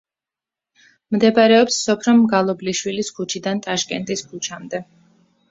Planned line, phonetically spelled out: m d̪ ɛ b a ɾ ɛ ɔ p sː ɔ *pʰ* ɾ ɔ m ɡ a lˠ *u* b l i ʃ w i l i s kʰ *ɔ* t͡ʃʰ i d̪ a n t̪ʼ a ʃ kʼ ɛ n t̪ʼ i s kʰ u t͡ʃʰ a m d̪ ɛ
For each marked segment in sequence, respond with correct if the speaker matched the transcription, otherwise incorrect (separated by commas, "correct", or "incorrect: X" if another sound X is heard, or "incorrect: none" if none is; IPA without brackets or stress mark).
correct, incorrect: ɔ, incorrect: u